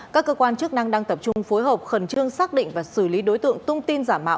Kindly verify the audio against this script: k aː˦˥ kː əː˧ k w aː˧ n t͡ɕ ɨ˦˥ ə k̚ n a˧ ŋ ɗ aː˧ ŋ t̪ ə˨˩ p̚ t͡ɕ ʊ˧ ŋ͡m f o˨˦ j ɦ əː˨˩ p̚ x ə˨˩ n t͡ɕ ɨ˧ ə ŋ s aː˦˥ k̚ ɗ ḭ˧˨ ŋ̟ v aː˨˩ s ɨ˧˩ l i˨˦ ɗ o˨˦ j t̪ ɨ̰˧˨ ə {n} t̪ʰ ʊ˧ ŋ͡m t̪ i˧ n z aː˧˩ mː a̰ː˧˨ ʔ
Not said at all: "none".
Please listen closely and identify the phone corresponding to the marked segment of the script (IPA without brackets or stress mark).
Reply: ŋ